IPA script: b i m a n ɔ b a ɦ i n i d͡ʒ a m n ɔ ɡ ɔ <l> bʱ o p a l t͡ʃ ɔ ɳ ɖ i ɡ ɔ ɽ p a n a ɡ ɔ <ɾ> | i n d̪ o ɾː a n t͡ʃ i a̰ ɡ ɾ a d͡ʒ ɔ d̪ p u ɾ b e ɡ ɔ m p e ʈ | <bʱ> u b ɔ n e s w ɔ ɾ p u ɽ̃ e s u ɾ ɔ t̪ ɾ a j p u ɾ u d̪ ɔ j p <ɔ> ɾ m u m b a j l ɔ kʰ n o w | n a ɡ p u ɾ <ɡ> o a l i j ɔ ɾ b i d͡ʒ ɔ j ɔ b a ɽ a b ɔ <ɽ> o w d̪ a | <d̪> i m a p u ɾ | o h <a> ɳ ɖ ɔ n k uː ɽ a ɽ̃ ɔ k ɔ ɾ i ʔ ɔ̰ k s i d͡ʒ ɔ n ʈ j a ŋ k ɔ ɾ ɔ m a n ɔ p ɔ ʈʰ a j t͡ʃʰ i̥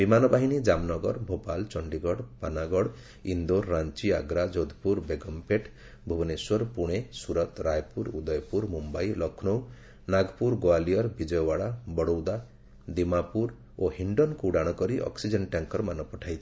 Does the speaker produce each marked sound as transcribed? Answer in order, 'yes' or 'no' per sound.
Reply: no, no, yes, no, yes, yes, yes, no

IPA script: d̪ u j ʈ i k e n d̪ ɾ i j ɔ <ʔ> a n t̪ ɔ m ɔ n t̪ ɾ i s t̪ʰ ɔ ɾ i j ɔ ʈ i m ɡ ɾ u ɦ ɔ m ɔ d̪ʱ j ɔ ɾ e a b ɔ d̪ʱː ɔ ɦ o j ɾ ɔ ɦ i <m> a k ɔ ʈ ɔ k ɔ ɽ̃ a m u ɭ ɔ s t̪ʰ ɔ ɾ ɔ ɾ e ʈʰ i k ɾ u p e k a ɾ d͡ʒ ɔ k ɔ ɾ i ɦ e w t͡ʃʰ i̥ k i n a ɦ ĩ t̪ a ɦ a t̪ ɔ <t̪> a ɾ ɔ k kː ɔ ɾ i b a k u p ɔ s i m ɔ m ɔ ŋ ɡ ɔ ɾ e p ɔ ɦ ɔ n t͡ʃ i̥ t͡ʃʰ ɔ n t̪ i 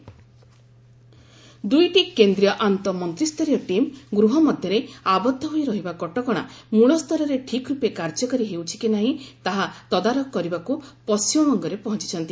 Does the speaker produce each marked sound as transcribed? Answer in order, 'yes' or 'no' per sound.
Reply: yes, no, no

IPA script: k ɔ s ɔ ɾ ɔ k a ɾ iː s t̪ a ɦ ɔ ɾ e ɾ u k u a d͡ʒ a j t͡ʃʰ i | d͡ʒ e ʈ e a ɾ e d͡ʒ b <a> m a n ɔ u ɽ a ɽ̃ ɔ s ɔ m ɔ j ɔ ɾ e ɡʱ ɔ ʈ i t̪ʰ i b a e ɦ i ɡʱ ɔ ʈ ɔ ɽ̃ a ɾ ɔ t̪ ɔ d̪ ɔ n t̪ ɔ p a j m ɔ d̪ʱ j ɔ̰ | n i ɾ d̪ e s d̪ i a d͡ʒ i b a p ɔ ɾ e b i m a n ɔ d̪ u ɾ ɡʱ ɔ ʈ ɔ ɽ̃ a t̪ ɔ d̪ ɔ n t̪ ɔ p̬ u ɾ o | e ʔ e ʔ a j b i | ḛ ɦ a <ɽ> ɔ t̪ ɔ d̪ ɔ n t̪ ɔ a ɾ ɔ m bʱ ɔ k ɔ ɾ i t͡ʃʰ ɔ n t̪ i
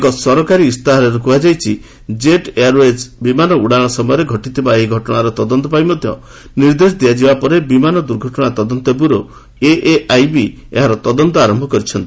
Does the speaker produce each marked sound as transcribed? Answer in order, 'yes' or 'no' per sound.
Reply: no, no

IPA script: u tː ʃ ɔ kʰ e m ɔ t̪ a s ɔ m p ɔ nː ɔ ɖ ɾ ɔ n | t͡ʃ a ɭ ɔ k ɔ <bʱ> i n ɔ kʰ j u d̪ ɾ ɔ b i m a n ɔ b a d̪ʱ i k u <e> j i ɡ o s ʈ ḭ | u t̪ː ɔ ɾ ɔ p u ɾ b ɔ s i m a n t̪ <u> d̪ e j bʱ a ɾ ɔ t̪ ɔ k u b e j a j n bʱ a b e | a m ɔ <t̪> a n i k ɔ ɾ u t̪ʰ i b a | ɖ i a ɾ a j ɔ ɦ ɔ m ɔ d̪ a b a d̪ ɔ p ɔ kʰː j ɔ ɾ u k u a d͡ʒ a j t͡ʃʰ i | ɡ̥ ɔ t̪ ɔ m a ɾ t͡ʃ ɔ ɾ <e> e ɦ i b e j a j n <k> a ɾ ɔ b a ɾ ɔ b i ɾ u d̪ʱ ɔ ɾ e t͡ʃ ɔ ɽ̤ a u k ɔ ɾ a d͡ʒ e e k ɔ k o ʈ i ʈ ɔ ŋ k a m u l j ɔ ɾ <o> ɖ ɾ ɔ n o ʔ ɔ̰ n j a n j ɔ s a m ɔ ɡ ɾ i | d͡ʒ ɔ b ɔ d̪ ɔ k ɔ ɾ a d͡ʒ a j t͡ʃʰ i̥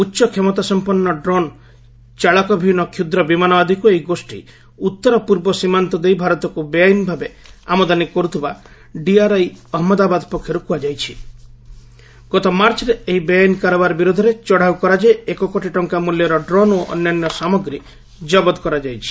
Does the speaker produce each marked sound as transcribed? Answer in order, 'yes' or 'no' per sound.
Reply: yes, yes, no, no, yes, yes, no

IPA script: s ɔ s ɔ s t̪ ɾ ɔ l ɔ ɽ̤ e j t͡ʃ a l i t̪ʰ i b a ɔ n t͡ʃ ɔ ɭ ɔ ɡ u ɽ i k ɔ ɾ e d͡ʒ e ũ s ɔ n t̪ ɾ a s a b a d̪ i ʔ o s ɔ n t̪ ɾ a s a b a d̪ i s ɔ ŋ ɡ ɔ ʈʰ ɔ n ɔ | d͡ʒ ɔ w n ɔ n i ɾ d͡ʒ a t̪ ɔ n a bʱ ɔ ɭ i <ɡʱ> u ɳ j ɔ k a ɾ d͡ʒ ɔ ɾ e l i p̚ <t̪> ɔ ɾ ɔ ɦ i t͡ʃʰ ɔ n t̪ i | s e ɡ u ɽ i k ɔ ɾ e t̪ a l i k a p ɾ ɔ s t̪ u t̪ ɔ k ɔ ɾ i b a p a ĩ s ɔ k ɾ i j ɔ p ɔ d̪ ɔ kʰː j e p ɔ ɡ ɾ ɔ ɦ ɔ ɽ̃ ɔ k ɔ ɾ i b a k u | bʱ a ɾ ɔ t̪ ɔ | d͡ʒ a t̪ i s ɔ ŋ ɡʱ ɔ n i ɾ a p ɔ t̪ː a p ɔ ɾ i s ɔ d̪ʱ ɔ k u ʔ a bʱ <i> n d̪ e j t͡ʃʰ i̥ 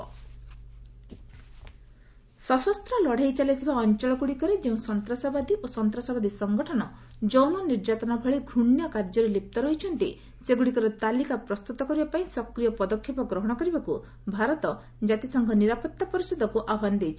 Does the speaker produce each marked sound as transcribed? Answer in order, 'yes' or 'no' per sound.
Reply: yes, yes, no

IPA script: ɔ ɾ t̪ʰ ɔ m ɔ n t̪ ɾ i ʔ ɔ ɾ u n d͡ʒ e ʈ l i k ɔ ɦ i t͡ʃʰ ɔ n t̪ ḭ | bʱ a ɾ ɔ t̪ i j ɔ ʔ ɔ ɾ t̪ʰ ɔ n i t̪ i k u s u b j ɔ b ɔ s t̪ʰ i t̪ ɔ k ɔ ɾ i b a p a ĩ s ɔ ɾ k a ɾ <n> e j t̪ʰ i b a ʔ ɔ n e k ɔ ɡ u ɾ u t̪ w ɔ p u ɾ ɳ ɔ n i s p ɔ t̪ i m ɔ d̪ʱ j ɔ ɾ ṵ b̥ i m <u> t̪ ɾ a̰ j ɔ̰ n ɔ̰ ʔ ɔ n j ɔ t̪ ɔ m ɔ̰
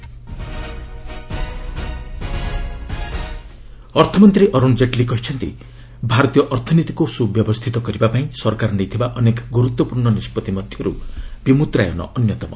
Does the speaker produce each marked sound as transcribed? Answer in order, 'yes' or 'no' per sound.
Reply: yes, yes

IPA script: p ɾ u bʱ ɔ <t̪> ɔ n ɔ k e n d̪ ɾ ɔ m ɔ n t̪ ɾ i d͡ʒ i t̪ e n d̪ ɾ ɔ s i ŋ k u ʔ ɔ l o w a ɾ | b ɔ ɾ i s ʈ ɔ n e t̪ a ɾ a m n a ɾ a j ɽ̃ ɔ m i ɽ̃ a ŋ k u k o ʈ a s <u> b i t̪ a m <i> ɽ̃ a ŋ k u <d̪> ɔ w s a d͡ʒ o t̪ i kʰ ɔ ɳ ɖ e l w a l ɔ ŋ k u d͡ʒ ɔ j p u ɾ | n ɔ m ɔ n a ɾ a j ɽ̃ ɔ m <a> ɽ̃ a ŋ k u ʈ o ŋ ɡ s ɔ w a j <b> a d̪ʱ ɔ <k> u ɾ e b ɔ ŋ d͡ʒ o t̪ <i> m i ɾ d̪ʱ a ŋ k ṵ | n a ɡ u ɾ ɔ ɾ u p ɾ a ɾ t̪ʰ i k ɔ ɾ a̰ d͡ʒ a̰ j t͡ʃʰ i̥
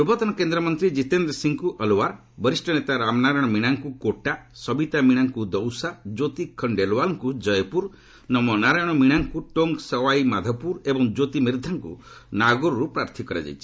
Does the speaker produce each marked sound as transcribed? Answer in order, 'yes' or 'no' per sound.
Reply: yes, no, yes, yes, no, no, no, yes

